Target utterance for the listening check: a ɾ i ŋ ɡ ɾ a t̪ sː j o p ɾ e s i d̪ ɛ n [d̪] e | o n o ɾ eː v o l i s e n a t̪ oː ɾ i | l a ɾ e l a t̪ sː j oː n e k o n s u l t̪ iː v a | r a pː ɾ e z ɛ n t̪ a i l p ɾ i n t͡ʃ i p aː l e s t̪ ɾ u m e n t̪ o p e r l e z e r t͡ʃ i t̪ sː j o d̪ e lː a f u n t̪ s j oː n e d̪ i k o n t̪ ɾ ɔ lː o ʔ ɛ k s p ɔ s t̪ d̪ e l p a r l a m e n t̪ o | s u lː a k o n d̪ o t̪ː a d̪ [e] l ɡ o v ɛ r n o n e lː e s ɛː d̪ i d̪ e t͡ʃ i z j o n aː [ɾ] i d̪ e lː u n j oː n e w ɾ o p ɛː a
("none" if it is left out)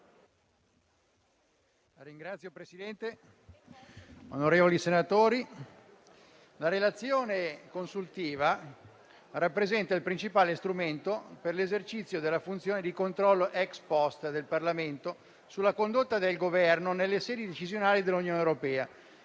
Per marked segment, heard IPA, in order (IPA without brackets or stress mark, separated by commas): t̪, e, l